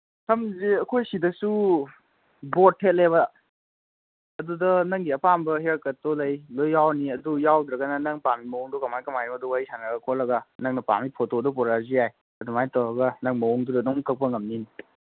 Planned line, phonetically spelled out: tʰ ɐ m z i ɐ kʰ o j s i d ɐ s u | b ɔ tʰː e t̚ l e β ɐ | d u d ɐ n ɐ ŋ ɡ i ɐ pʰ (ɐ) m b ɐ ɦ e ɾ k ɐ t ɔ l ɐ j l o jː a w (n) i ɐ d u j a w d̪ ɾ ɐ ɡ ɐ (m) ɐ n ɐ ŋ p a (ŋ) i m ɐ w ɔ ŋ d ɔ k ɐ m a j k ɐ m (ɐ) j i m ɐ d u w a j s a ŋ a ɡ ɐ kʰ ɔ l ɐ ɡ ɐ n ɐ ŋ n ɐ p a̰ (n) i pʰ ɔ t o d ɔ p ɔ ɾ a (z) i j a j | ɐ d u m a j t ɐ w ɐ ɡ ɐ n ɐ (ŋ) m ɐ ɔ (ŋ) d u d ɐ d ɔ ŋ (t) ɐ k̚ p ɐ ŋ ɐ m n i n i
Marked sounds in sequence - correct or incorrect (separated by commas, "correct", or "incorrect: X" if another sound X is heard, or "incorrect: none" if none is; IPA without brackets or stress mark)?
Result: incorrect: a, correct, incorrect: n, incorrect: m, incorrect: a, incorrect: m, correct, correct, correct, incorrect: k